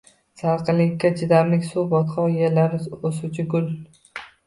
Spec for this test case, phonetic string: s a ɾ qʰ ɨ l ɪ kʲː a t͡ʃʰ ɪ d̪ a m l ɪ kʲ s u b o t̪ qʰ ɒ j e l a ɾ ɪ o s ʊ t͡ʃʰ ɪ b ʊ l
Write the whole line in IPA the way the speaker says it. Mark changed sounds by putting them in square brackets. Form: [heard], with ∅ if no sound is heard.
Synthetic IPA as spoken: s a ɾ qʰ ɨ l ɪ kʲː a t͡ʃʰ ɪ d̪ a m l ɪ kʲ s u b [ɒ] t̪ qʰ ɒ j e l a ɾ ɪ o s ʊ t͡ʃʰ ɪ [ɡ] ʊ l